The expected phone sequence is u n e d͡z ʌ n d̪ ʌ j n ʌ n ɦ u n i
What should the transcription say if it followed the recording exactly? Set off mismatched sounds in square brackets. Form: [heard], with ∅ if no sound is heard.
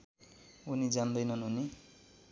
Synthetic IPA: u n [i] d͡z [a] n d̪ ʌ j n ʌ n ɦ u n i